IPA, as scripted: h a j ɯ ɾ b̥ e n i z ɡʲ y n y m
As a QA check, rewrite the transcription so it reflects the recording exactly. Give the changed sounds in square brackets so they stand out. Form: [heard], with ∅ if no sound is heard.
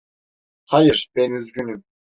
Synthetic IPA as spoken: h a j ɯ ɾ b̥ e n [y] z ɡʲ y n y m